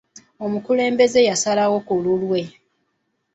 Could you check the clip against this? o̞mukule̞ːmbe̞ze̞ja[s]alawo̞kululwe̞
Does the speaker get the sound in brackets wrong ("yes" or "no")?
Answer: no